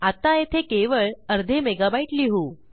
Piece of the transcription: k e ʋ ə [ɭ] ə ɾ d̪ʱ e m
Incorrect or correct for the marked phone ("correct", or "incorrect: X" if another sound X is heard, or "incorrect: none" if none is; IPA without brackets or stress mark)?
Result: correct